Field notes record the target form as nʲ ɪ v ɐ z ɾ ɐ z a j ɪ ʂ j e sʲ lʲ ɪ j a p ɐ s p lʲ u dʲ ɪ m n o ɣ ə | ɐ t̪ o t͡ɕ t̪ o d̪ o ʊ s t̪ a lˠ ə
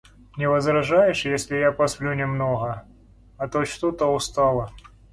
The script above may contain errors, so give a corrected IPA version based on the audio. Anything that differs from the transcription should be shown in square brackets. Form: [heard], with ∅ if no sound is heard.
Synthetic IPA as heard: nʲ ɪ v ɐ z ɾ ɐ [ʐ] a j ɪ ʂ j e sʲ lʲ ɪ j a p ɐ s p lʲ u [nʲ] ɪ m n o ɣ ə | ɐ t̪ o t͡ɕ t̪ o [t̪] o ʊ s t̪ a lˠ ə